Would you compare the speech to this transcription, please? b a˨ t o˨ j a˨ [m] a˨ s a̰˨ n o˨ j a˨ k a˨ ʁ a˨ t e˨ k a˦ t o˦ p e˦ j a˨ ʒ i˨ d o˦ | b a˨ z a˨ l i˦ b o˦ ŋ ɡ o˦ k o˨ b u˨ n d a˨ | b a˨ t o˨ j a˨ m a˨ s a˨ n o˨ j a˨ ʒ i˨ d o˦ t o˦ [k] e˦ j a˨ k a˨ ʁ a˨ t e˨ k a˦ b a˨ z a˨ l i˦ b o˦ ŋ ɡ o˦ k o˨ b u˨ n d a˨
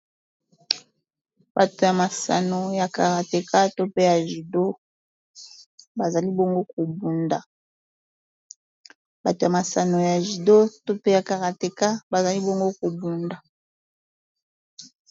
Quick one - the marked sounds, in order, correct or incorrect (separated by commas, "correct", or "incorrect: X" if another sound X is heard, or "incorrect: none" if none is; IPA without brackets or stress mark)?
correct, incorrect: p